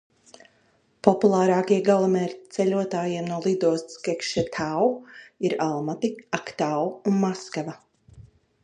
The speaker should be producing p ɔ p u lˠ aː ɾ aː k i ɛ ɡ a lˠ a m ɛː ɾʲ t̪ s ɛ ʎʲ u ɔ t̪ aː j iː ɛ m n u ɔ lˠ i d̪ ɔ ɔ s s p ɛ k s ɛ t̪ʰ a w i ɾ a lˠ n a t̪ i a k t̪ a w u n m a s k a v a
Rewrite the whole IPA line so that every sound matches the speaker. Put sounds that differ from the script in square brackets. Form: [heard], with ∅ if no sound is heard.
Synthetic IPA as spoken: p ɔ p u lˠ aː ɾ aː k i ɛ ɡ a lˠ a m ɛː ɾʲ t̪ s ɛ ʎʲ u ɔ t̪ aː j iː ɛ m n u ɔ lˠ i d̪ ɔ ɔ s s [k] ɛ k [ʃ] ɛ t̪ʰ a w i ɾ a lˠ [m] a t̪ i a k t̪ a w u n m a s k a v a